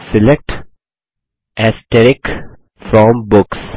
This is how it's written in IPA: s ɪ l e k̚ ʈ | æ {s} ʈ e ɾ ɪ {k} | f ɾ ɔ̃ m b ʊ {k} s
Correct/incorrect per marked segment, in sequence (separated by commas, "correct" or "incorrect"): correct, correct, correct